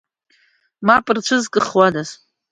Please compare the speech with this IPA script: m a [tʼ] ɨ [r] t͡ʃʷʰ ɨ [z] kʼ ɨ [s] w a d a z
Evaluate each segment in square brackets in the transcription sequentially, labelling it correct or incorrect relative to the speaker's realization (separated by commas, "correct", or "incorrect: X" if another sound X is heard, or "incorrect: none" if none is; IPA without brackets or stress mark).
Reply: incorrect: pʼ, correct, correct, incorrect: χ